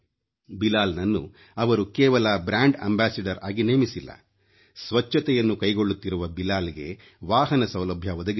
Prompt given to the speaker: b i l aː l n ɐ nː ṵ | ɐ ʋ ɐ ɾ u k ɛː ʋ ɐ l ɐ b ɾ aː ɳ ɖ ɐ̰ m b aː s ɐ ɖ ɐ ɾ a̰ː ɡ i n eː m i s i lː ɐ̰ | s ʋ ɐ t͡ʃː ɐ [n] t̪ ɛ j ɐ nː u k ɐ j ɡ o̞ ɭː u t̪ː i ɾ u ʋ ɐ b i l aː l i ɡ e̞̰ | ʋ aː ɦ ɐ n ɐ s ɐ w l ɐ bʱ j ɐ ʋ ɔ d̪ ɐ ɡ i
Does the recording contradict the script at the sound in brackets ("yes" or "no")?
yes